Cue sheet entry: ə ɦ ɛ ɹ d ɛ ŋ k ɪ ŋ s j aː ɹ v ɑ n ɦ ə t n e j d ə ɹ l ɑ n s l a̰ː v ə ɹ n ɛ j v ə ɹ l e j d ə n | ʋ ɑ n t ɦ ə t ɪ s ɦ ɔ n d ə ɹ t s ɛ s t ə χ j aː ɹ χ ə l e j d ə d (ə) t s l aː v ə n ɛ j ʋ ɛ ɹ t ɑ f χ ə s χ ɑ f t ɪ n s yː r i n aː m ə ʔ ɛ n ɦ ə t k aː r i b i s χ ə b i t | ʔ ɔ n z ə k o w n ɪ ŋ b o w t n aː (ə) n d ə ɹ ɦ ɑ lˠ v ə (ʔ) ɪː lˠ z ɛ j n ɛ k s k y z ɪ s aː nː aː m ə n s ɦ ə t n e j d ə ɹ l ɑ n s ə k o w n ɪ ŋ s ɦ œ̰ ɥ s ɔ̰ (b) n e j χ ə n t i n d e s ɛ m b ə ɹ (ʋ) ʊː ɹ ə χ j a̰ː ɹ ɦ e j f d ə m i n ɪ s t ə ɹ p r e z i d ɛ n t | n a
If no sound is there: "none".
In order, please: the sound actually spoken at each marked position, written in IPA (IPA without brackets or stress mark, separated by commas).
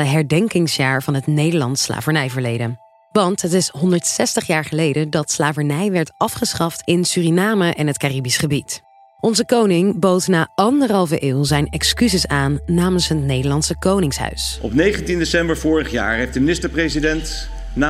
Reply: ɑ, ɑ, ʔ, p, v